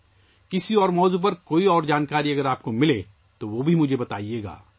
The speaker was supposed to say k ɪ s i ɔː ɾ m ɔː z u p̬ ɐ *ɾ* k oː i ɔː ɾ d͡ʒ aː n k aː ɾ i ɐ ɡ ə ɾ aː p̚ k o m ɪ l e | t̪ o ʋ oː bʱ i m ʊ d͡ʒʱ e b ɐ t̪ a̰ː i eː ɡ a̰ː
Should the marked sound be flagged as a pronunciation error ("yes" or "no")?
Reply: no